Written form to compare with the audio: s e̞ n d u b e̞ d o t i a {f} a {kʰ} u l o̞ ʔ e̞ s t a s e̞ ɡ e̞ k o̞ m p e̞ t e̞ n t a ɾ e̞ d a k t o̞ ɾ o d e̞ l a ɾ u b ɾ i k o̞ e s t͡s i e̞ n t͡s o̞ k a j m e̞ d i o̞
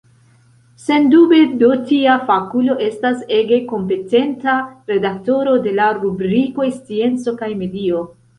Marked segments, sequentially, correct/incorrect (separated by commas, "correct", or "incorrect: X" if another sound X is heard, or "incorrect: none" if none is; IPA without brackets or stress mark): correct, incorrect: k